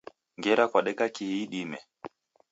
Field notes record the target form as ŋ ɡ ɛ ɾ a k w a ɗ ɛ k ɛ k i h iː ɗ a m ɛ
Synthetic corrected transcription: ŋ ɡ ɛ ɾ a k w a ɗ ɛ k a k i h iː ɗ i m ɛ